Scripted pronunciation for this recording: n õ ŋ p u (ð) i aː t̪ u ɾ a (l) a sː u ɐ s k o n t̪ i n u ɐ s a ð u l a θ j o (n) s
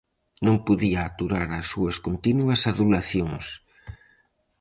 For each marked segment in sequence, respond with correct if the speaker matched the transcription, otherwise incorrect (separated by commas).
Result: correct, incorrect, incorrect